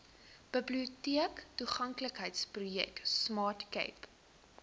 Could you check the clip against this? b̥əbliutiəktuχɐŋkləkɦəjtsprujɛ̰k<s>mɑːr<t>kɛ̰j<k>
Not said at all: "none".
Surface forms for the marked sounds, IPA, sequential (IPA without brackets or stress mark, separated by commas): s, t, p